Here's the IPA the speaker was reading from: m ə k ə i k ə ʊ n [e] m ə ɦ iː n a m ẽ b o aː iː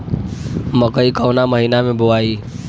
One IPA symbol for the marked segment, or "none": a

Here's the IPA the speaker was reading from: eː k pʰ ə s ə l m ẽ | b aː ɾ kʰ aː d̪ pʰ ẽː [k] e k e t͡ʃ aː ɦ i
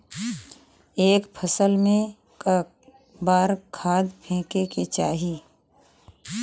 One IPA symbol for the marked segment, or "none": k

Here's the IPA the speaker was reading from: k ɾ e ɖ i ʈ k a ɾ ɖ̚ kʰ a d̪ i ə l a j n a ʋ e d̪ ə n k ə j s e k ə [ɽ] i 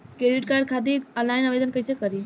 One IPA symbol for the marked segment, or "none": ɾ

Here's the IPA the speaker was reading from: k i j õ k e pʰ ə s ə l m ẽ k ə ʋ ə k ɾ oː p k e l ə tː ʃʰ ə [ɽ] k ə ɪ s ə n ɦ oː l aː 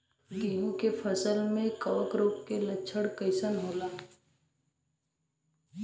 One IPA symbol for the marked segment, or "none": ɽ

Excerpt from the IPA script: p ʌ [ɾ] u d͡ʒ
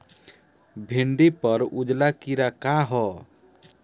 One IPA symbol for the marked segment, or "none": ɾ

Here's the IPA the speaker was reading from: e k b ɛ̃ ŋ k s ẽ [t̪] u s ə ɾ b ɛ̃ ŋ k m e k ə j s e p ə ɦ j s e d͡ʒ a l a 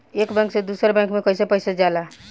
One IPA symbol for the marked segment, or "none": d̪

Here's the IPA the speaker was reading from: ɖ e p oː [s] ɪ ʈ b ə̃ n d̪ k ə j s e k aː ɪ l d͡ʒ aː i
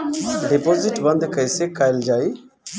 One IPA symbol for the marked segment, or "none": z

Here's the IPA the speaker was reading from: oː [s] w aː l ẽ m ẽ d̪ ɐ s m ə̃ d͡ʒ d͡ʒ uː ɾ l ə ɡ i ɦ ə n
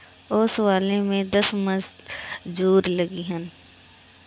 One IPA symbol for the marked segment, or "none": s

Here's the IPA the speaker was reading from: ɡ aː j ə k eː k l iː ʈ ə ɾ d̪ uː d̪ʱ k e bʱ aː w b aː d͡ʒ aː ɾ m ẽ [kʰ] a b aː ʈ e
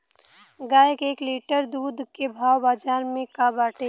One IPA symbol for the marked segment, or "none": k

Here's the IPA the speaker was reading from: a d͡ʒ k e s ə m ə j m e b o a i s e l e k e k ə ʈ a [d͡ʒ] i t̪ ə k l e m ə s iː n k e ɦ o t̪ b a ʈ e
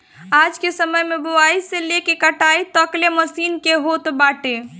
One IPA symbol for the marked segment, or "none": none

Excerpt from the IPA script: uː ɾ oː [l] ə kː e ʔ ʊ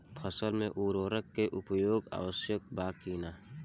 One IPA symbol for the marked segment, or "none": ɾ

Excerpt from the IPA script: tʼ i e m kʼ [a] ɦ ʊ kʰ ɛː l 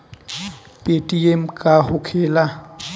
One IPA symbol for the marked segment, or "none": a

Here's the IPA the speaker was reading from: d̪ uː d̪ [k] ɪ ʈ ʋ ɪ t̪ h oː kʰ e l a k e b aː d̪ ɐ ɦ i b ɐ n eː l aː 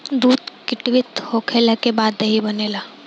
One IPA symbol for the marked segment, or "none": k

